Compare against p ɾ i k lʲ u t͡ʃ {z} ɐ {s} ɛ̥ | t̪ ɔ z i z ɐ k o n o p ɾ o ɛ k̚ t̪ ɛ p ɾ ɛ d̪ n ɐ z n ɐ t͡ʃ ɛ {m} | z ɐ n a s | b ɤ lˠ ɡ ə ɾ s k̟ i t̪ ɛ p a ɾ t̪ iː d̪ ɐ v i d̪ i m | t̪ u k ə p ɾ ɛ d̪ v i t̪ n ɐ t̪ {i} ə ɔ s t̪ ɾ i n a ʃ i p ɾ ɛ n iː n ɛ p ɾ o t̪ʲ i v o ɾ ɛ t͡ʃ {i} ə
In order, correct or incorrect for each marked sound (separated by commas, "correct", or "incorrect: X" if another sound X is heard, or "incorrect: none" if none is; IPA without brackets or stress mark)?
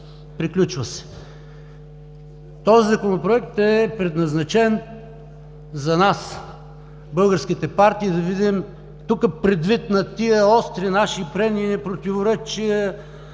incorrect: v, correct, incorrect: n, correct, correct